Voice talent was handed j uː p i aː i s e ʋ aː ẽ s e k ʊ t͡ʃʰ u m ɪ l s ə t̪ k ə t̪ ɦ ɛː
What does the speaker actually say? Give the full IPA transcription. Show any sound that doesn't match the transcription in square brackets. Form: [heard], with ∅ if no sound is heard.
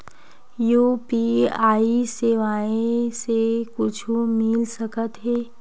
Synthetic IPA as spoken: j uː p i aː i s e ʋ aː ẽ s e k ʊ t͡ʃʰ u m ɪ l s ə [∅] k ə t̪ ɦ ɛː